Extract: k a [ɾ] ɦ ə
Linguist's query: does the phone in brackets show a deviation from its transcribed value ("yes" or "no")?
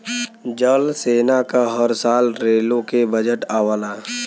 yes